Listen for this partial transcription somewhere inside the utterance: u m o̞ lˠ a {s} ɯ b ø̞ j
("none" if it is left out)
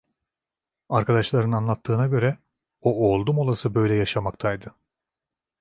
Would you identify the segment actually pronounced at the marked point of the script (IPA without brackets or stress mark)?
s